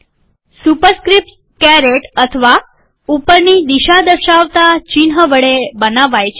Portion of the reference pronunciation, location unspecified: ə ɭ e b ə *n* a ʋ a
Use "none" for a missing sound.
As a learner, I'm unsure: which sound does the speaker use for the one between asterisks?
n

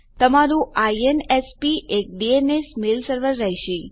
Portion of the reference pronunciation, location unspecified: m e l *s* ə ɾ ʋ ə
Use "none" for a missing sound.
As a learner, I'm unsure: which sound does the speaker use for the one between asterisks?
s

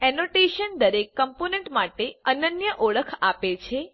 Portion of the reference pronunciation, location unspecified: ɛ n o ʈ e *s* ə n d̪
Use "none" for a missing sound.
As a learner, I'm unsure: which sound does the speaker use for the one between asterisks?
ʃ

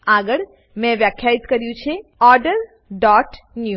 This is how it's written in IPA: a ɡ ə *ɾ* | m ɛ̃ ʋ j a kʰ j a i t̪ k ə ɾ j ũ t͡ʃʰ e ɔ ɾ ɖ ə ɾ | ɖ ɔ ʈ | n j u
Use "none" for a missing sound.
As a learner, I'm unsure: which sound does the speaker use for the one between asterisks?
ɭ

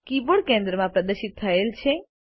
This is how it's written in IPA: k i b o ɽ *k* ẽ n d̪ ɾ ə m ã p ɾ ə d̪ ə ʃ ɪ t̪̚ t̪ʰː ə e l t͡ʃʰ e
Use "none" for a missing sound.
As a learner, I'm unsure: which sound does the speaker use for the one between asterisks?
k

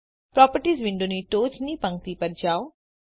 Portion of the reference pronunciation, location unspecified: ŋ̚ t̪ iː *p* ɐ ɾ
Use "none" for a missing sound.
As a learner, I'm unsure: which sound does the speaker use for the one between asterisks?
p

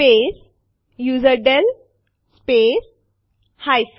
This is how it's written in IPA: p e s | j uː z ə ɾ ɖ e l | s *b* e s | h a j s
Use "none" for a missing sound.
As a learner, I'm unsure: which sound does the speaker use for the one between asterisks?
p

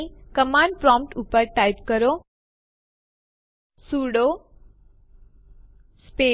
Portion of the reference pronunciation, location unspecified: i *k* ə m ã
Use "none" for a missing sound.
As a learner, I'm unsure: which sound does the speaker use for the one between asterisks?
k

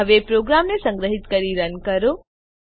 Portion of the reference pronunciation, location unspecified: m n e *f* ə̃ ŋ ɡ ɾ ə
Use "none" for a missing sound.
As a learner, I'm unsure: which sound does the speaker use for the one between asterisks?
s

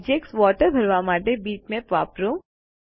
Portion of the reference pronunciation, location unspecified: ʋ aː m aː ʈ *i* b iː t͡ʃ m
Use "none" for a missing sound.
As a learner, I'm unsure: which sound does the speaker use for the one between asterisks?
e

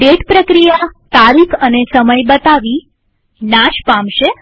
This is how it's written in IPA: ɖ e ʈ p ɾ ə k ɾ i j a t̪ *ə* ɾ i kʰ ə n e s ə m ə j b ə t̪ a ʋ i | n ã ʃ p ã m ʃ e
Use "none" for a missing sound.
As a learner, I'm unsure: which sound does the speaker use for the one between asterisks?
a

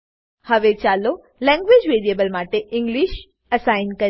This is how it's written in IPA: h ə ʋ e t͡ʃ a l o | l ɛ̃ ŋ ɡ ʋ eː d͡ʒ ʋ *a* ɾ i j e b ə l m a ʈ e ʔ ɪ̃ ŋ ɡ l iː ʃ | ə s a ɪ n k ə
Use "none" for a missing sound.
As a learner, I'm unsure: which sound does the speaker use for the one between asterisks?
e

